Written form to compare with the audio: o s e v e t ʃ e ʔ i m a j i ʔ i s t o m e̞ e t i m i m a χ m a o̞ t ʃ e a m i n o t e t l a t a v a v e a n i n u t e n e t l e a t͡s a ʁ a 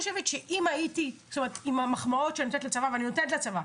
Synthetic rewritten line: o ʃ e v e t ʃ e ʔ i m a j i t i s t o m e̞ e t i m a m a χ m a o̞ t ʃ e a n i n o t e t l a t͡s a v a v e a n i n o t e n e t l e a t͡s a v a